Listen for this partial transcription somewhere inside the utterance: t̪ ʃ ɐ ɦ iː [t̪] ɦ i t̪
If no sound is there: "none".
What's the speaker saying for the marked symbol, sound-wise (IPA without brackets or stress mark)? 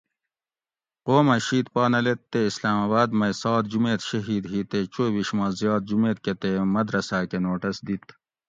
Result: d̪